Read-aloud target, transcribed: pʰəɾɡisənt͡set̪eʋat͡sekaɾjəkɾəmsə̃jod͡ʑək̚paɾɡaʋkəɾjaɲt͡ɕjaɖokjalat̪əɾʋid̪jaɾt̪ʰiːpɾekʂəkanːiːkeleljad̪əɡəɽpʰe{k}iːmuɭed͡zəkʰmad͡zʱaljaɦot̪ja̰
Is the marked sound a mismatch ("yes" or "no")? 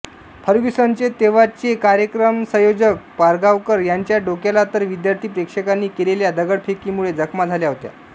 no